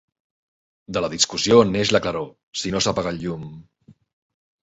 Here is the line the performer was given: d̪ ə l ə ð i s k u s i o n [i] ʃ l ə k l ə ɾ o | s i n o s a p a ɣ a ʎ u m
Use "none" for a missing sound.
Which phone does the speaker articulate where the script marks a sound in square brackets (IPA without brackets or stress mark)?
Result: e